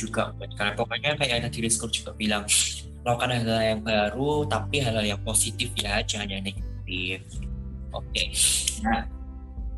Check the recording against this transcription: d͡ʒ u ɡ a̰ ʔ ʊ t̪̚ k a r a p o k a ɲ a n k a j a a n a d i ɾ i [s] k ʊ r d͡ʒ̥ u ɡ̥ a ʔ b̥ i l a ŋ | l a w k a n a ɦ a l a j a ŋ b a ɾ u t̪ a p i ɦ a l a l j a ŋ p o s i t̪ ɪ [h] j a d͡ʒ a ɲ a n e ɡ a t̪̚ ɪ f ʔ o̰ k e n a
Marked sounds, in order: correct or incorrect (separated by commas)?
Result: correct, incorrect